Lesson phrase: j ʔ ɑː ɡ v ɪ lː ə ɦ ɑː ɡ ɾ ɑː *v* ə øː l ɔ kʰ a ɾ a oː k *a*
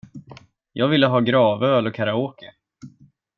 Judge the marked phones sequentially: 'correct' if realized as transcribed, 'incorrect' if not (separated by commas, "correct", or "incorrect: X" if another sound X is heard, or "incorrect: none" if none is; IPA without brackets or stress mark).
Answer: correct, incorrect: ə